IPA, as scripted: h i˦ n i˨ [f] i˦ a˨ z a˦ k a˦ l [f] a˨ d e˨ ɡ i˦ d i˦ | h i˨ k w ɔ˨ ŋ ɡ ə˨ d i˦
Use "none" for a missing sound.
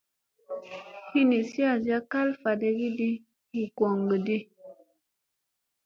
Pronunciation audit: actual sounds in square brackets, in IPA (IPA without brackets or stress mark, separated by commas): s, f